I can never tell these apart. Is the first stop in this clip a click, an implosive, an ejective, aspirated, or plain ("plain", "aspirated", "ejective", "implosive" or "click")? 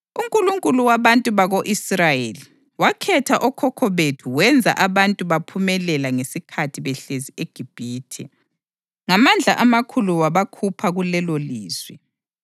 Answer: ejective